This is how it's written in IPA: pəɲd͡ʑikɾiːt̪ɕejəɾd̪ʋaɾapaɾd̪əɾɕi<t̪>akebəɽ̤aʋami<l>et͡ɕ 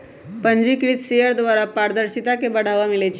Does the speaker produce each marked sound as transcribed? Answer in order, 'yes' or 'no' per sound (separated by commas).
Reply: yes, yes